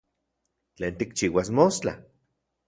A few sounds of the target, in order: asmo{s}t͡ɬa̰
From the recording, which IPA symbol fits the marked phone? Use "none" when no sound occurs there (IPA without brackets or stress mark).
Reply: s